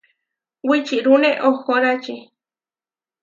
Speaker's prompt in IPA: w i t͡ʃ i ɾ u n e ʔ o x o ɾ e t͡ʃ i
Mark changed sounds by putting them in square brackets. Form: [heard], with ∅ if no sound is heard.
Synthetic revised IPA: w i t͡ʃ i ɾ u n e ʔ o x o ɾ [a] t͡ʃ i